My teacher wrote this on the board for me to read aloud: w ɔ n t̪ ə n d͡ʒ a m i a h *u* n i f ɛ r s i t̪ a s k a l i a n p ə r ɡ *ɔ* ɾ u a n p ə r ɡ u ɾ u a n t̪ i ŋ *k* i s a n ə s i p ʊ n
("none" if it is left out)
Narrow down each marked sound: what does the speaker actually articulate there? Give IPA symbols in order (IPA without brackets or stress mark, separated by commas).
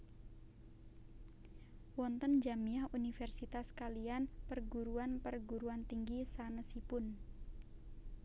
u, u, ɡ